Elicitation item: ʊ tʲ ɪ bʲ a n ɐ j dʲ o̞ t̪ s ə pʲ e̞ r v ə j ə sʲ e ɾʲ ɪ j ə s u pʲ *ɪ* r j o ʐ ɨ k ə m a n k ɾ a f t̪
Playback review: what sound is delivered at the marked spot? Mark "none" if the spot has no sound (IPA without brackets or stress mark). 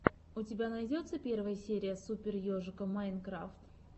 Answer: ɪ